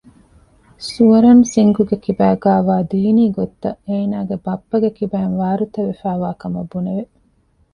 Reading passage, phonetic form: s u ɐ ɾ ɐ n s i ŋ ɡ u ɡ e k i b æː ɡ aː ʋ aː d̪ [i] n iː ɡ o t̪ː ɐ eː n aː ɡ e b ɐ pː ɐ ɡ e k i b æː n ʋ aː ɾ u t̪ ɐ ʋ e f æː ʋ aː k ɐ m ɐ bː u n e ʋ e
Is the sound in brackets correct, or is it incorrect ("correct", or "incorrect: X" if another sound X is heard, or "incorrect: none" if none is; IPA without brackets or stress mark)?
incorrect: iː